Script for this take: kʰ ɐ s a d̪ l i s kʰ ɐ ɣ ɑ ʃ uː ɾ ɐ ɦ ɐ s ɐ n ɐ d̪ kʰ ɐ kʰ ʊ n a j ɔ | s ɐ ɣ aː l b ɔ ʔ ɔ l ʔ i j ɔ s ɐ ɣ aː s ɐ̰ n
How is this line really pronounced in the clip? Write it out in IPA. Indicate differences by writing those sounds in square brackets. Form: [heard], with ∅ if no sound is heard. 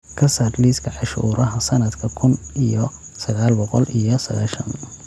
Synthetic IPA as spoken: kʰ ɐ s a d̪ l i s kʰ ɐ [ʕ] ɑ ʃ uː ɾ ɐ ɦ ɐ s ɐ n ɐ d̪ kʰ ɐ kʰ ʊ n [i] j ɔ | s ɐ ɣ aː l b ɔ [q] ɔ l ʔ i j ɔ s ɐ ɣ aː [ʃ] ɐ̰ n